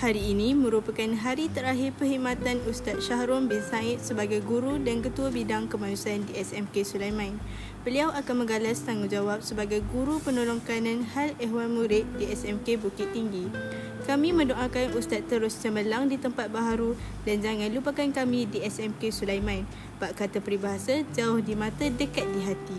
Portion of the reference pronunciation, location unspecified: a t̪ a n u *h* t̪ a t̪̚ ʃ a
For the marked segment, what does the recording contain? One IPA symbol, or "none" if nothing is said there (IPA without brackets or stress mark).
s